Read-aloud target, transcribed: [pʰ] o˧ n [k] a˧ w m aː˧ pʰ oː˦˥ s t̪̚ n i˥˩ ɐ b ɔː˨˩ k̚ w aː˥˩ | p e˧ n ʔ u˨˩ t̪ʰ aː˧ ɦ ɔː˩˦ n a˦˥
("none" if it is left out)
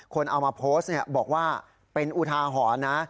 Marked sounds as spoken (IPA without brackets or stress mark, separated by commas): kʰ, ʔ